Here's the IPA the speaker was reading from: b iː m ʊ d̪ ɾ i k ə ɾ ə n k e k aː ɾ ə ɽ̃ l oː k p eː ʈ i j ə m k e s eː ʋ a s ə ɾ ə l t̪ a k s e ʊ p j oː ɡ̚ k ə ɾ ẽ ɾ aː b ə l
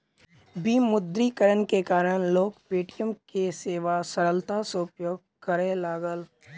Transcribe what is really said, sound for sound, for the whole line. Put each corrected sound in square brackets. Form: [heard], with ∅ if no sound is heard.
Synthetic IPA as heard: b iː m ʊ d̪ ɾ i k ə ɾ ə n k e k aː ɾ ə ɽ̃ l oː k p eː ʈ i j ə m k e s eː ʋ a s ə ɾ ə l t̪ a [∅] s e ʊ p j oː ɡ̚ k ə ɾ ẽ [l] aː [ɡ] ə l